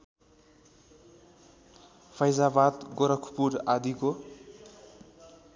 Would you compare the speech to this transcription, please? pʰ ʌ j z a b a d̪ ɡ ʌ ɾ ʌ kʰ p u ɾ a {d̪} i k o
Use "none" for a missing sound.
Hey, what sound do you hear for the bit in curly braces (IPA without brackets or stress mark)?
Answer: d̪